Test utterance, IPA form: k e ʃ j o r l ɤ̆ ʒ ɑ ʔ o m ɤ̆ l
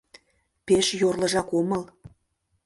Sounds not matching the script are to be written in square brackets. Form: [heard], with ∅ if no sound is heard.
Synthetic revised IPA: [p] e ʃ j o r l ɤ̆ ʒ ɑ [k] o m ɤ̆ l

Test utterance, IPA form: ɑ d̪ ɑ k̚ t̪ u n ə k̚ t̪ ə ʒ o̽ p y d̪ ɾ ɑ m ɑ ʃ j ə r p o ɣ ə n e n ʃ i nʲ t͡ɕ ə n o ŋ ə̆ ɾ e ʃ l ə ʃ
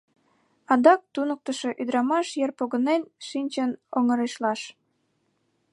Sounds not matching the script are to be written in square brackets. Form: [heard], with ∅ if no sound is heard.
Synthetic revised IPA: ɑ d̪ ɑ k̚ t̪ u n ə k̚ t̪ ə [ʃ] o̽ [ʔ] y d̪ ɾ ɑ m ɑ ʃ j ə r p o ɣ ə n e n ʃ i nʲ t͡ɕ ə n o ŋ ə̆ ɾ e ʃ l [ɑ] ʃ

